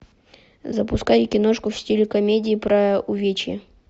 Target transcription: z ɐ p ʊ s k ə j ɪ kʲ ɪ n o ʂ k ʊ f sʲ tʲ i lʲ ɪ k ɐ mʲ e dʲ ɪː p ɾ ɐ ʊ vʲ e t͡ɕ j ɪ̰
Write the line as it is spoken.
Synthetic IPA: z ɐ p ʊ s k a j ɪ kʲ ɪ n o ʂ k ʊ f sʲ tʲ i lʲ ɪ k ɐ mʲ e dʲ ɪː p ɾ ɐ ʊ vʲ e t͡ɕ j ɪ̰